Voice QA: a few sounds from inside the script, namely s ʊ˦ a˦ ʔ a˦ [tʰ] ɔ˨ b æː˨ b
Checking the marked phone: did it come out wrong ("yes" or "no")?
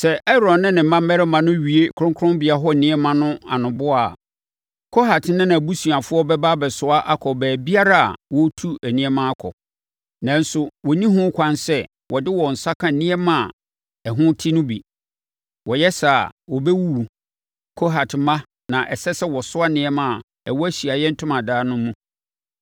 yes